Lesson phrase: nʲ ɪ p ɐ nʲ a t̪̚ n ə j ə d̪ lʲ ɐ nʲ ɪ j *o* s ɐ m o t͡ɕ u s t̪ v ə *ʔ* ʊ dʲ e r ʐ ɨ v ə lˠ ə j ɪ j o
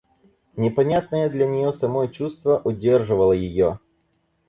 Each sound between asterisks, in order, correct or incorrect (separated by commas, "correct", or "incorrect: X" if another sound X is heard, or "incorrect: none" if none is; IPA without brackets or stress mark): correct, correct